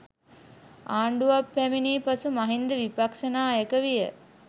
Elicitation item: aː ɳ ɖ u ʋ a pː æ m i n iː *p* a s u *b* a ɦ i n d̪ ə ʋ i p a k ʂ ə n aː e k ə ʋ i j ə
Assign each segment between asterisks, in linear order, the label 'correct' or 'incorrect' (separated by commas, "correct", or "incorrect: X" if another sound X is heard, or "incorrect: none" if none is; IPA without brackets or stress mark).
correct, incorrect: m